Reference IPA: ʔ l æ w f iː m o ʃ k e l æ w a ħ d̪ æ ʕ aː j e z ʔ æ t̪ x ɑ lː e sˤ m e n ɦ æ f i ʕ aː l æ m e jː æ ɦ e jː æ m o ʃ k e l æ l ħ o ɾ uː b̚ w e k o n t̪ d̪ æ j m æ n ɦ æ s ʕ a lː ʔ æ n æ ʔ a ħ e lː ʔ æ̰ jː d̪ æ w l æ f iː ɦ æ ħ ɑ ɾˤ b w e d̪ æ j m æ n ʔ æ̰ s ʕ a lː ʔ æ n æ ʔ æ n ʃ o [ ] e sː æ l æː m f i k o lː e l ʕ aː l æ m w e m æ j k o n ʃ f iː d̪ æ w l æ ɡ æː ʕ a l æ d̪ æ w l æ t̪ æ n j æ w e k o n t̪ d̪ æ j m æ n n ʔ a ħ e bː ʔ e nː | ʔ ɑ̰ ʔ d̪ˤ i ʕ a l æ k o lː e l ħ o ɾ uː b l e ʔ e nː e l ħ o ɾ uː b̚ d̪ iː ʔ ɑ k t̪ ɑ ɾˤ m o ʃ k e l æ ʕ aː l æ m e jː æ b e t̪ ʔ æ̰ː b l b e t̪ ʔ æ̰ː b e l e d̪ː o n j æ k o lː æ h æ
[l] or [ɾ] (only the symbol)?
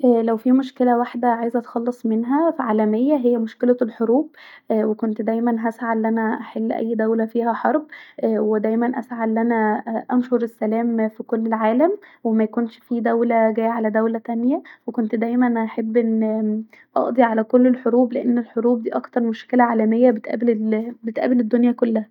ɾ